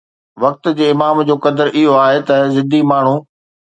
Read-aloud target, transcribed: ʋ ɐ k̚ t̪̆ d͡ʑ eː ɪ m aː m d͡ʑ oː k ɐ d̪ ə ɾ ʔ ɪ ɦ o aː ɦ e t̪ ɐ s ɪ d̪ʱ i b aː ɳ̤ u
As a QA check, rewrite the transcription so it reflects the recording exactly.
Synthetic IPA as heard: ʋ ɐ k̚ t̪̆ d͡ʑ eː ɪ m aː m d͡ʑ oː k ɐ d̪ ə ɾ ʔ ɪ ɦ o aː ɦ e t̪ ɐ z ɪ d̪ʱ i m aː ɳ̤ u

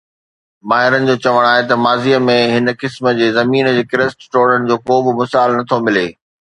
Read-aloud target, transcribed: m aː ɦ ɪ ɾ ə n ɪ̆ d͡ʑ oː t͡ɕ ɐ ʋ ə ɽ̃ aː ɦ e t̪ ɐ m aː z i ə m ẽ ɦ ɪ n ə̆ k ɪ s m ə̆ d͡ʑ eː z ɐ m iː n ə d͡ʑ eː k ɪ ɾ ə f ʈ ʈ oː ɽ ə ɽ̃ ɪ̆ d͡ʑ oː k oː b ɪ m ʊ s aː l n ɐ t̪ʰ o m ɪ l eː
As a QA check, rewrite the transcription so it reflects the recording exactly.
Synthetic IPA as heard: m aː ɦ ɪ ɾ ə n ɪ̆ d͡ʑ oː t͡ɕ ɐ ʋ ə ɽ̃ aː ɦ e t̪ ɐ m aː z i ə m ẽ ɦ ɪ n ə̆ k ɪ s m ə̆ d͡ʑ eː z ɐ m iː n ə d͡ʑ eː k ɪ ɾ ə s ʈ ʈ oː ɽ ə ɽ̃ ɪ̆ d͡ʑ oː k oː b ɪ m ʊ s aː l n ɐ t̪ʰ o m ɪ l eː

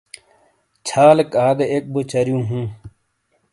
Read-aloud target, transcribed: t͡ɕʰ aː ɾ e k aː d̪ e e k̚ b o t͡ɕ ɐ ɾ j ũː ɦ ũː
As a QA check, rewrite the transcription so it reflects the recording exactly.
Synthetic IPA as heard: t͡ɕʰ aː l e k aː d̪ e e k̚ b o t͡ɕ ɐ ɾ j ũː ɦ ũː

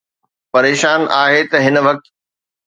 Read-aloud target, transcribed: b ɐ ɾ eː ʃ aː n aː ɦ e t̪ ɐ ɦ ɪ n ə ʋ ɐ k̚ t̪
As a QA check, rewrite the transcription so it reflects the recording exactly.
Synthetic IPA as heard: p ɐ ɾ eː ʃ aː n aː ɦ e t̪ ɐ ɦ ɪ n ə ʋ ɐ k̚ t̪

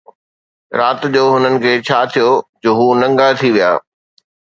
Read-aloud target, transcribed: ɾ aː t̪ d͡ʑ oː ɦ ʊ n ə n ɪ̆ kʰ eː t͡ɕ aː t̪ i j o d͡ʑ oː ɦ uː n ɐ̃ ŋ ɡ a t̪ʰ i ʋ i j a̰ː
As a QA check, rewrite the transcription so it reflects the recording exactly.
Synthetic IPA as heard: ɾ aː t̪ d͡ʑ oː ɦ ʊ n ə n ɪ̆ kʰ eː t͡ɕʰ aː t̪ʰ i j o d͡ʑ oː ɦ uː n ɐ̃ ŋ ɡ a t̪ʰ i ʋ i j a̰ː

